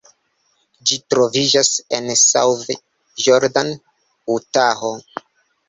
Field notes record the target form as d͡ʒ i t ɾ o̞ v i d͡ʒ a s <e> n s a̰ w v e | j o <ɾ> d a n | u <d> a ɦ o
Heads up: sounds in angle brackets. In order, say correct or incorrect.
correct, correct, incorrect: t

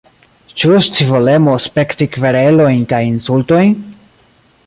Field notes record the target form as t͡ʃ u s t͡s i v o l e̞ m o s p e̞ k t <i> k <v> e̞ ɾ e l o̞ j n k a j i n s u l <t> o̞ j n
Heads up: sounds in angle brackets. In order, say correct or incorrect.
correct, correct, correct

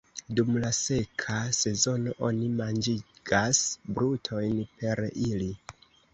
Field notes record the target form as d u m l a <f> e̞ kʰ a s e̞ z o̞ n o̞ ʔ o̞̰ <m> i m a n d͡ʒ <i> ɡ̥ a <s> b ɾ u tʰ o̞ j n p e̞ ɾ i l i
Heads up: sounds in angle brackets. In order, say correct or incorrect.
incorrect: s, incorrect: n, correct, correct

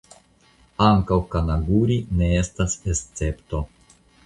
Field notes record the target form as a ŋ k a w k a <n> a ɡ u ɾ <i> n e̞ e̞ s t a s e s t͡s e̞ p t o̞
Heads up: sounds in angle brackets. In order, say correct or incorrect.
correct, correct

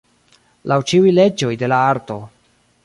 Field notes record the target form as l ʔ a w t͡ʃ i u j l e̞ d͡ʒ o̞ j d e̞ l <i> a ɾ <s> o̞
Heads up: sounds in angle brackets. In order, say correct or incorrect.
incorrect: a, incorrect: t

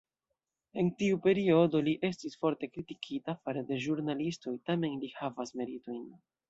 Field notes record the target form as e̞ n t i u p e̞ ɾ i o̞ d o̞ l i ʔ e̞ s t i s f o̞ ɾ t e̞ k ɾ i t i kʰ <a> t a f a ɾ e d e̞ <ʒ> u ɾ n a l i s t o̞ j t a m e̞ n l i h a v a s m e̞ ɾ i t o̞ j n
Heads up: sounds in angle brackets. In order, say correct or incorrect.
incorrect: i, correct

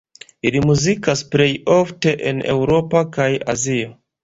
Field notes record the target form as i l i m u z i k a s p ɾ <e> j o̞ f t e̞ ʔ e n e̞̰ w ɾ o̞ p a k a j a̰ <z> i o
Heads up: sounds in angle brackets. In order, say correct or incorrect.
correct, correct

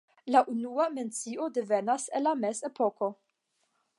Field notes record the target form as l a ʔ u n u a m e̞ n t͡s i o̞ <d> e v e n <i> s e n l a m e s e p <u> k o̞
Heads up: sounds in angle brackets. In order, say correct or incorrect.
correct, incorrect: a, incorrect: o

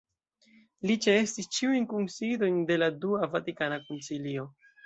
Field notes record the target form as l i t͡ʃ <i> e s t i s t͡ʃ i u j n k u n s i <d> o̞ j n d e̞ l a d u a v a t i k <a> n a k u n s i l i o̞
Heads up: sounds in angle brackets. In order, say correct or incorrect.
incorrect: e, correct, correct

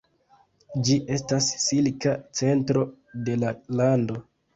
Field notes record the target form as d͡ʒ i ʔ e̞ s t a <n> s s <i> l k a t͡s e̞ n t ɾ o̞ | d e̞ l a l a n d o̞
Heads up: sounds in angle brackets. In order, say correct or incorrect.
incorrect: none, correct

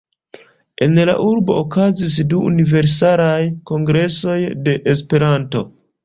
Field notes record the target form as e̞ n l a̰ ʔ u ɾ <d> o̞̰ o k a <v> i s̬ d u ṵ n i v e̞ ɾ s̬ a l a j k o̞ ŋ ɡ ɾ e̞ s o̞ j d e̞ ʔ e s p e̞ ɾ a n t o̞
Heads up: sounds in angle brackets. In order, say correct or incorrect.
incorrect: b, incorrect: z

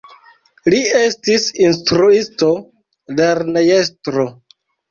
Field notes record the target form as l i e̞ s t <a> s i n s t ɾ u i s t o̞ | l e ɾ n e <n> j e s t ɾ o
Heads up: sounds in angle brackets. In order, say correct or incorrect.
incorrect: i, incorrect: none

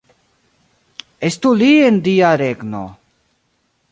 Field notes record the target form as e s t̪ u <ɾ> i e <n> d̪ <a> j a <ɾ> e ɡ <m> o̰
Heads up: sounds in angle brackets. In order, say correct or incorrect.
incorrect: l, correct, incorrect: i, correct, incorrect: n

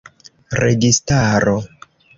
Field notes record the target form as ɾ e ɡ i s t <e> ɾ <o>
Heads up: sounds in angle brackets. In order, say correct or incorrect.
incorrect: a, correct

